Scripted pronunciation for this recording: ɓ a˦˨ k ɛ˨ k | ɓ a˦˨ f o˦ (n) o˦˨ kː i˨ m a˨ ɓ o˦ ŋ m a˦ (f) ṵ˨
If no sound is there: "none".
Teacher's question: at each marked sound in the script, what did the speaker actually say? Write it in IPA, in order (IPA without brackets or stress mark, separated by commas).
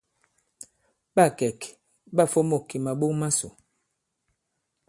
m, s